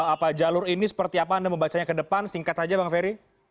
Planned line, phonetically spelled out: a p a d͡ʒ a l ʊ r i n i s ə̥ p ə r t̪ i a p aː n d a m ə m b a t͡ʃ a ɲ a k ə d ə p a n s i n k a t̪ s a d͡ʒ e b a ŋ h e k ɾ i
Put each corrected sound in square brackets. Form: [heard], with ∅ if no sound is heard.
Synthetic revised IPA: a p a d͡ʒ a l ʊ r i n i s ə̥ p ə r t̪ i a p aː n d a m ə m b a t͡ʃ a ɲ a k ə d ə p a n s i [ŋ] k a t̪ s a d͡ʒ [a] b a ŋ [f] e [∅] ɾ i